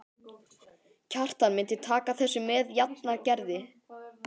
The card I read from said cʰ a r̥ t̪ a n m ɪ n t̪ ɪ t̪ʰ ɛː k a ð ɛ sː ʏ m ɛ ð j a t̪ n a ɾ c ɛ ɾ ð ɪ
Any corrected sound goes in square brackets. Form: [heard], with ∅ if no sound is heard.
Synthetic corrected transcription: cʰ a r̥ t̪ a n m ɪ n t̪ ɪ t̪ʰ [aː] k a [θ] ɛ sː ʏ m ɛ ð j a t̪ n a ɾ c ɛ ɾ ð ɪ